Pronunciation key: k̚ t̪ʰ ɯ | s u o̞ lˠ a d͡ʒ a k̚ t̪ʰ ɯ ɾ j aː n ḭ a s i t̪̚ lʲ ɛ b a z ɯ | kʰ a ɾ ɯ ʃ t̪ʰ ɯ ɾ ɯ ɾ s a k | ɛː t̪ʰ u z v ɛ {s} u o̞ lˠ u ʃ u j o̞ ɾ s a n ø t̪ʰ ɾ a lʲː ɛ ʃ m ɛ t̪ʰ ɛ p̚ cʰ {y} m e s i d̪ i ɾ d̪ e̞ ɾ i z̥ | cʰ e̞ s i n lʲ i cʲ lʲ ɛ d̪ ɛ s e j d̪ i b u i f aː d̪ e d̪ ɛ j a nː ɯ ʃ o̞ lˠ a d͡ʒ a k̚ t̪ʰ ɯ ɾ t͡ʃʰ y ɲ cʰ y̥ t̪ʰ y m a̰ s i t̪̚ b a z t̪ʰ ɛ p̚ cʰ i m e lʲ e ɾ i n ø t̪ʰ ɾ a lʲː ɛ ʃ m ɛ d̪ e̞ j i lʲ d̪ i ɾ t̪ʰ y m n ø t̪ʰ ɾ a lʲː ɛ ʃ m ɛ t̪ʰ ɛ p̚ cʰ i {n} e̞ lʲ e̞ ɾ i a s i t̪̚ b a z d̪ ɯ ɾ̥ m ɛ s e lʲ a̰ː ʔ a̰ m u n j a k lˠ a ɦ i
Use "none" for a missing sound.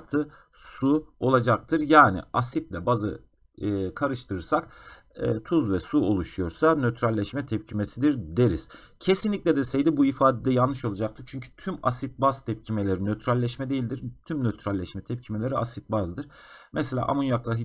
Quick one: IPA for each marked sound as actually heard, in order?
s, i, m

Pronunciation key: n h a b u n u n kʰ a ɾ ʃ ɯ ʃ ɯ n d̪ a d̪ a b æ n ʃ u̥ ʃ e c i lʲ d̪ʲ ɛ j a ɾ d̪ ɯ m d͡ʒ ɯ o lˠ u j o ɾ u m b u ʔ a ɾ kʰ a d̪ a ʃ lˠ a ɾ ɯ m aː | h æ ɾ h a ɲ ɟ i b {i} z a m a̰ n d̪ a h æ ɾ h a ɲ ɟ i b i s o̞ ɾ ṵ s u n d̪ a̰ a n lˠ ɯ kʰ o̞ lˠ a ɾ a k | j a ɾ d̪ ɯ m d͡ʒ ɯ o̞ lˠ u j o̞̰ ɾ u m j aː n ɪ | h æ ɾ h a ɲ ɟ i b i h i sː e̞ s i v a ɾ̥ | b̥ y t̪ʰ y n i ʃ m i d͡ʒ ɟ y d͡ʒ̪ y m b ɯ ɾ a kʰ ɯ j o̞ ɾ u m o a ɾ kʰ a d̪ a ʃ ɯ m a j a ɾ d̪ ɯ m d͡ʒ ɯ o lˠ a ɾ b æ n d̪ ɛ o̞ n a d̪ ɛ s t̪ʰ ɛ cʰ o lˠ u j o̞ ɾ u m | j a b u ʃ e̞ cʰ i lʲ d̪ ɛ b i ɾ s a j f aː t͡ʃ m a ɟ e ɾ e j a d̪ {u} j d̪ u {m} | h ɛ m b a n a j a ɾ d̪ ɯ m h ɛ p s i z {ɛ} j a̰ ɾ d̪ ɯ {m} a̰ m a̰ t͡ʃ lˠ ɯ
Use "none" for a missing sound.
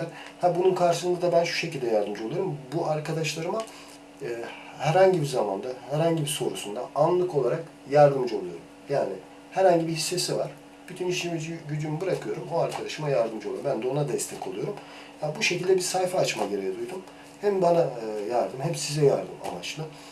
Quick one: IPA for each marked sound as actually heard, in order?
i, u, m, ɛ, m

